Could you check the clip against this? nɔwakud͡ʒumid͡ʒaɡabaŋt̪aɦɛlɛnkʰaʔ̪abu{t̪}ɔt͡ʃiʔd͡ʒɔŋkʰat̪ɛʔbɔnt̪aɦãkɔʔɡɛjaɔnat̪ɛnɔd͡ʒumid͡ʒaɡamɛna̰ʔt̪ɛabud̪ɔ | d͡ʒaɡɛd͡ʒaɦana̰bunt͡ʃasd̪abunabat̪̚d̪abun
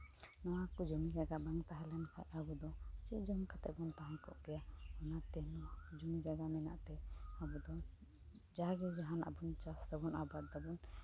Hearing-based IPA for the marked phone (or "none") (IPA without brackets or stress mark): d̪